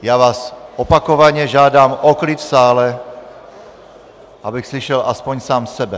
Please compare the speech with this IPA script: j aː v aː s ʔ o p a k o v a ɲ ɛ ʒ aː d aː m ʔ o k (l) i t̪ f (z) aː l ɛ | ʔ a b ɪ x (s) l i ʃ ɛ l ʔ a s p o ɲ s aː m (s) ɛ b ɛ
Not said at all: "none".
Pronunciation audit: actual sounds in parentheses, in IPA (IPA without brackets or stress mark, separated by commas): l, s, s, s